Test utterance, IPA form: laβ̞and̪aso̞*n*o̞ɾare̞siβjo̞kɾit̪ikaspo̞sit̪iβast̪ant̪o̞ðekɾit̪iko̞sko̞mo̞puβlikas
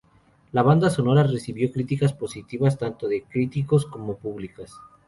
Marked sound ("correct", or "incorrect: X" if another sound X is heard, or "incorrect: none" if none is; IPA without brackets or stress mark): correct